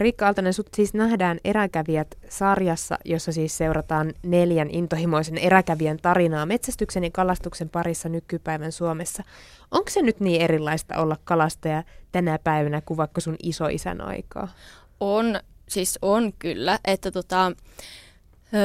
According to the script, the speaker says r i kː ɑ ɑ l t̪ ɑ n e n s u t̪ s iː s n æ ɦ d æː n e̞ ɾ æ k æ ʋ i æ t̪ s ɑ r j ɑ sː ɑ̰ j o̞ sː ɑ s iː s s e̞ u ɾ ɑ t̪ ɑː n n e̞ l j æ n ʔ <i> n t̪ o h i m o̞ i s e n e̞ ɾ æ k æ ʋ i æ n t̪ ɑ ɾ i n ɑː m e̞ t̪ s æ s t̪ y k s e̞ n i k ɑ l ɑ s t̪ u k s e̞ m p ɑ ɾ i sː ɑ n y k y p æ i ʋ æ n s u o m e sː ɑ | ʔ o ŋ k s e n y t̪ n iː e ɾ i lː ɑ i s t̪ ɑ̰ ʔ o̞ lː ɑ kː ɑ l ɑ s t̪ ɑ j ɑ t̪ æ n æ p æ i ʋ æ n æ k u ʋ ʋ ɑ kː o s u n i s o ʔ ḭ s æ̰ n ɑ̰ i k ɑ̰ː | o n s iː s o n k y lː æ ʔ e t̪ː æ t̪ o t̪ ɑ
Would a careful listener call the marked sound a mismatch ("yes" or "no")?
no